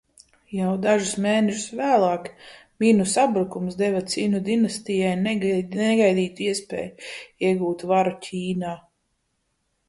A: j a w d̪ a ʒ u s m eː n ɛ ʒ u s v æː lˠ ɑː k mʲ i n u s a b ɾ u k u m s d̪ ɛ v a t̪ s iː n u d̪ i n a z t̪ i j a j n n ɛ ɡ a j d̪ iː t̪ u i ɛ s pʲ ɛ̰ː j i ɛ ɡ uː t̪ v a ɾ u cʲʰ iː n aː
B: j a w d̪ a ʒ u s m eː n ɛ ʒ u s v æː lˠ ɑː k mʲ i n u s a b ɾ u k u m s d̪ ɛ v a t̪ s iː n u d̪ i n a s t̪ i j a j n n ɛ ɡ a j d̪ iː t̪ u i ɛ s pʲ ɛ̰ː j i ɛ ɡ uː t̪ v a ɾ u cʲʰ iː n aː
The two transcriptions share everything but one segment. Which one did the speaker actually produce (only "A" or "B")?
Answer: B